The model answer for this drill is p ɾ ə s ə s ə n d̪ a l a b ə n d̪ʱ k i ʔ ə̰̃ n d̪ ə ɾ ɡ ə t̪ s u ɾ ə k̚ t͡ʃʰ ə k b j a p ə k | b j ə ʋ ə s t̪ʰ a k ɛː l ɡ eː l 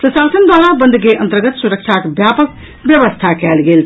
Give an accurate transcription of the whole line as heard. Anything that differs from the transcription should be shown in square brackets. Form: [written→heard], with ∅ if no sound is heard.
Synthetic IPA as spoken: p ɾ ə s [ə→a] s ə n d̪ a l a b ə n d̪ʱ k [i→e] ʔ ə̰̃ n [d̪→t̪] ə ɾ ɡ ə t̪ s u ɾ ə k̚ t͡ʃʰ [ə→a] k b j a p ə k | b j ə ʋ ə s t̪ʰ a k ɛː l ɡ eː l